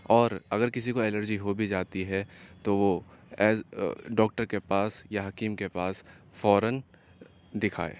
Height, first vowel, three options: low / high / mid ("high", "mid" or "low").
mid